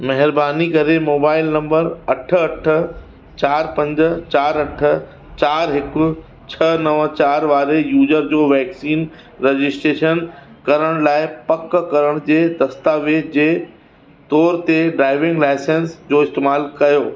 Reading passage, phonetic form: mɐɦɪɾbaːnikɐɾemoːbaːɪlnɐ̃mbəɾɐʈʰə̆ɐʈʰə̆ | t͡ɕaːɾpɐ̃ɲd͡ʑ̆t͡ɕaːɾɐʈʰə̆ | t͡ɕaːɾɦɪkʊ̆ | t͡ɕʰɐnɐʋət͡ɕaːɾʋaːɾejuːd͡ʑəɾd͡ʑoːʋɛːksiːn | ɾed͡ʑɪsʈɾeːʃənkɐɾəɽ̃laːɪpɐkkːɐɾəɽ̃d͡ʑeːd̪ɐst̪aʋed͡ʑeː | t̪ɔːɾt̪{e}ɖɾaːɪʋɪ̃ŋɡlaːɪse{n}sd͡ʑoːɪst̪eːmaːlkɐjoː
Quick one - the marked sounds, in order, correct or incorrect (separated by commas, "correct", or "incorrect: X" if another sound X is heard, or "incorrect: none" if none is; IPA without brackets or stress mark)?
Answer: correct, correct